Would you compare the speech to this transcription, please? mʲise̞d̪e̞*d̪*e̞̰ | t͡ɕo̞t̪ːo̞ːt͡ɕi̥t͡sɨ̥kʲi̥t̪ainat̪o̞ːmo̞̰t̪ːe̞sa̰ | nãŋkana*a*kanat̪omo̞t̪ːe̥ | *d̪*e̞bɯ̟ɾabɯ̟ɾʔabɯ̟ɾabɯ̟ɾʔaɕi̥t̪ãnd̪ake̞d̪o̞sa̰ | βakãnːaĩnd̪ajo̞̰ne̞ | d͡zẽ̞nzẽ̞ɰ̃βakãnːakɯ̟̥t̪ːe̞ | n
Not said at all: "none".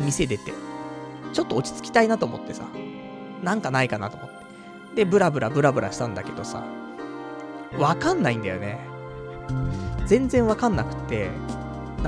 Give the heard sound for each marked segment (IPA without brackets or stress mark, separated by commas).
t̪, i, d̪